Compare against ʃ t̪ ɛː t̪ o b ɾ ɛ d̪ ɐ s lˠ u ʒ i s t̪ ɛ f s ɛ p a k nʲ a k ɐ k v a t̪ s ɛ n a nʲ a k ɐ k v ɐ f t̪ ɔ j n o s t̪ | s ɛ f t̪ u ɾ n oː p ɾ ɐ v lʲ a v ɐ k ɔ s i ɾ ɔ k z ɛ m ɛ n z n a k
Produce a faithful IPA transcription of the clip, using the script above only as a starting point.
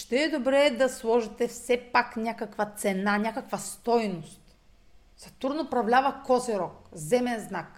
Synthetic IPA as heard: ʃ t̪ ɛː d̪ o b ɾ ɛ d̪ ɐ s lˠ ɔ ʒ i t̪ ɛ f s ɛ p a k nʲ a k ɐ k v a t̪ s ɛ n a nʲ a k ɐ k v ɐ s t̪ ɔ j n o s t̪ | s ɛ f t̪ u ɾ n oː p ɾ ɐ v lʲ a v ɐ k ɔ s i ɾ ɔ k z ɛ m ɛ n z n a k